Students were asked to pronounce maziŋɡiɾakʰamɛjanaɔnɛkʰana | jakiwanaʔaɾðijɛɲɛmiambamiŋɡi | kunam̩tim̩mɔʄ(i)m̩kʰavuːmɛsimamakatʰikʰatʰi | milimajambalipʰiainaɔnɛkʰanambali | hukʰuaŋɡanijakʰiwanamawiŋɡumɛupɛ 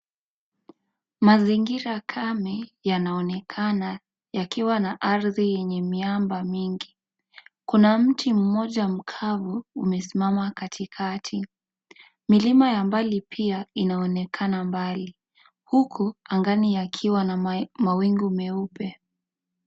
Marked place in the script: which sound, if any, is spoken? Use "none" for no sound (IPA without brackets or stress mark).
a